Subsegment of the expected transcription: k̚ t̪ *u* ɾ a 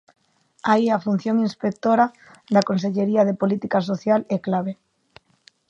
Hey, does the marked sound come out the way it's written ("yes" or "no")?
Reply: no